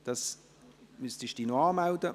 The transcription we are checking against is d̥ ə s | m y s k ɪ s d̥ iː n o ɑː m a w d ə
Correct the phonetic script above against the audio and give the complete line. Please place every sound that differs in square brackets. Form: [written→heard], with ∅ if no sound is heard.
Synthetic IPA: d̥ [ə→ɑ] s | m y s [k→t] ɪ [s→ʃ] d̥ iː n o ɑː m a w d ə